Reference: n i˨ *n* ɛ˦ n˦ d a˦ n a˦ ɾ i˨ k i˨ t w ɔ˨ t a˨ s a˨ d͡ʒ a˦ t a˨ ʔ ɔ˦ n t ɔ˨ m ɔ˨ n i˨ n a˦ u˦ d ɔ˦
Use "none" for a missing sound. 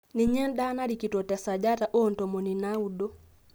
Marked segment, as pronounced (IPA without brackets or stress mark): ɲ